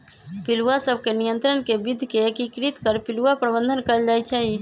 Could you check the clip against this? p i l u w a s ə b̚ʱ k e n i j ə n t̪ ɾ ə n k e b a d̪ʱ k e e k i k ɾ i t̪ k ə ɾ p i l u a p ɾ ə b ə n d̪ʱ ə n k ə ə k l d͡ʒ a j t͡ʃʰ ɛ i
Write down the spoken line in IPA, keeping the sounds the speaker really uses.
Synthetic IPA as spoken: p i l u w a s ə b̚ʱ k e n i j ə n t̪ ɾ ə n k e b i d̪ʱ k e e k i k ɾ i t̪ k ə ɾ p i l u a p ɾ ə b ə n d̪ʱ ə n k ə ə l d͡ʒ a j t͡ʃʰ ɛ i